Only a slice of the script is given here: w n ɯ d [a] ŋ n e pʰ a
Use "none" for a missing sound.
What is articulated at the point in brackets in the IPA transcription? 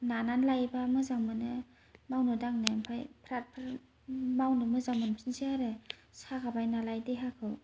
a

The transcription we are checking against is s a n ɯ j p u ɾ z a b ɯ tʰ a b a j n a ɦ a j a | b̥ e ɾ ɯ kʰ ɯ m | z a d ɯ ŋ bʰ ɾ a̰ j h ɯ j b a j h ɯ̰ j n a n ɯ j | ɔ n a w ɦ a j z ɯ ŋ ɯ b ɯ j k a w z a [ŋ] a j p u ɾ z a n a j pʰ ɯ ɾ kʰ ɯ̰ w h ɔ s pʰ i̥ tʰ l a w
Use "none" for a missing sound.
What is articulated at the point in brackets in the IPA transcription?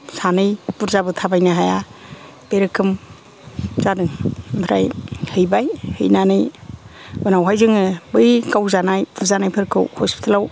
n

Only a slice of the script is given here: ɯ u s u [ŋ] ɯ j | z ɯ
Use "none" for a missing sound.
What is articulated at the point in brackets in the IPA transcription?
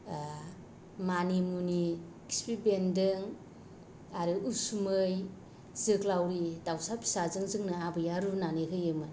m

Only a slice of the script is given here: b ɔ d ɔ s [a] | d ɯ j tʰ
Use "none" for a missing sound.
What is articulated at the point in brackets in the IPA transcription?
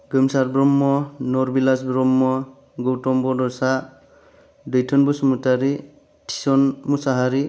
a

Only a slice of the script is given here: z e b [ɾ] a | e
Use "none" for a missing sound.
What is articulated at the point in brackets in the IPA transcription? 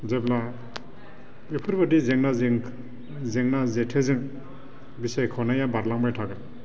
l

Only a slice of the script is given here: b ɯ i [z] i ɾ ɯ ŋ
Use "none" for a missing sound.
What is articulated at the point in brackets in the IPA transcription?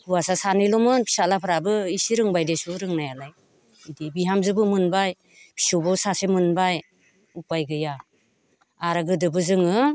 s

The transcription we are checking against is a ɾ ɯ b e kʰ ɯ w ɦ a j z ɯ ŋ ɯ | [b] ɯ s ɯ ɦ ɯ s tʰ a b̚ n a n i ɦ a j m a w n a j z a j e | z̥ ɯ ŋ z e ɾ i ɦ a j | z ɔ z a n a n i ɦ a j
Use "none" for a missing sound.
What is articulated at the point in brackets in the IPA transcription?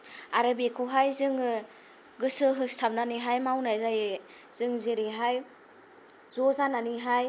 ɡ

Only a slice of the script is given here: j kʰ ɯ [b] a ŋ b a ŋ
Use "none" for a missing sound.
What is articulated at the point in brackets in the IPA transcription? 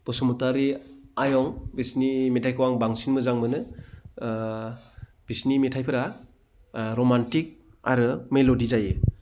w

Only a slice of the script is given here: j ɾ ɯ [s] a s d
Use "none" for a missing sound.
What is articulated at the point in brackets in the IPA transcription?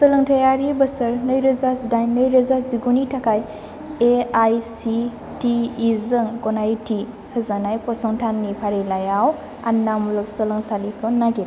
z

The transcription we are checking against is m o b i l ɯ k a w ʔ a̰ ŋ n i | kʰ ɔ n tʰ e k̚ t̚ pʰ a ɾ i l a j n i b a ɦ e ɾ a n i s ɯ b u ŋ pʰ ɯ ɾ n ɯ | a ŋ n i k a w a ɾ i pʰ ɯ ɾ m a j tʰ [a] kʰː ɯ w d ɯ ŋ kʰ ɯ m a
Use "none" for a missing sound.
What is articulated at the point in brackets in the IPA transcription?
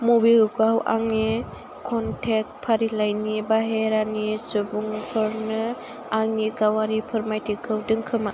i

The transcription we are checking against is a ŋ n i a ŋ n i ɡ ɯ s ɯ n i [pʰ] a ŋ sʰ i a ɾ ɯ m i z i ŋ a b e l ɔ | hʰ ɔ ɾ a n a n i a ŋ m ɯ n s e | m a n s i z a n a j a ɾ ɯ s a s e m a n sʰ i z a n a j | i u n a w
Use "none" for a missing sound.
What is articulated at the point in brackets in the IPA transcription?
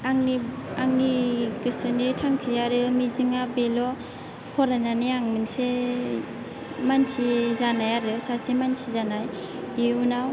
tʰ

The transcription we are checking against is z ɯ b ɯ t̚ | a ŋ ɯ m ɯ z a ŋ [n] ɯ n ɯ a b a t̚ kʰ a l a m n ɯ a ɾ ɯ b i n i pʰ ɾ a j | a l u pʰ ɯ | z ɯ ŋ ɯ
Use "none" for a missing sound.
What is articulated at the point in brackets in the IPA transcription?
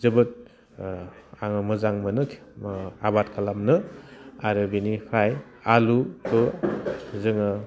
m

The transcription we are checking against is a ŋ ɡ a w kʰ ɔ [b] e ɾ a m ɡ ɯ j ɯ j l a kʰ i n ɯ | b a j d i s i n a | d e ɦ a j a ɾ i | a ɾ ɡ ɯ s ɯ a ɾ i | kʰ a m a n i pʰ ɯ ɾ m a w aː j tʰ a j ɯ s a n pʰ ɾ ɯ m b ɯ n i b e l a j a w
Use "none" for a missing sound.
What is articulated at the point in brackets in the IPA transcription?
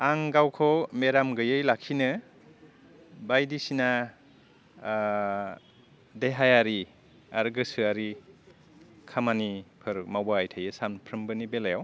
m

